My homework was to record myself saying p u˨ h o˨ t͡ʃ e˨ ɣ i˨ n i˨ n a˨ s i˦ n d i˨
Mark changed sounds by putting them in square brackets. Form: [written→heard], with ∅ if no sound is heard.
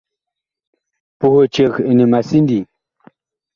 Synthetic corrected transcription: p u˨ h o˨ t͡ʃ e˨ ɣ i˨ n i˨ [n→m] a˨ s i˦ n d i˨